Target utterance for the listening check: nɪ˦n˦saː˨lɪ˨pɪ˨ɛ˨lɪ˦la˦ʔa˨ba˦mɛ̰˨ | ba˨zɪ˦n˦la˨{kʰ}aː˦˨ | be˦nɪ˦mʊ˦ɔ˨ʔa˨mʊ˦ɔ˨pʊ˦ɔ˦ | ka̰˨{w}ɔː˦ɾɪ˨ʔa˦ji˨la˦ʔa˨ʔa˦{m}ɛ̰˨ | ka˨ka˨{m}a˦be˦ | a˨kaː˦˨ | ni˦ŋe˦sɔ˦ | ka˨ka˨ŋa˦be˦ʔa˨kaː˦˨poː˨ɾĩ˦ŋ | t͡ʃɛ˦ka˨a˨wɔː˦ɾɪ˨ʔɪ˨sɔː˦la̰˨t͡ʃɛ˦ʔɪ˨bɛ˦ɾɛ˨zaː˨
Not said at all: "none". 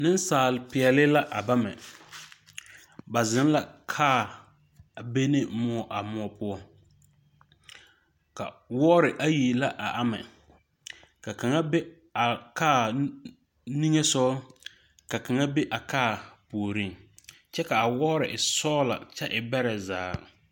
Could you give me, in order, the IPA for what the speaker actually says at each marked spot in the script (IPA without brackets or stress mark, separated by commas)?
kʰ, w, m, ŋ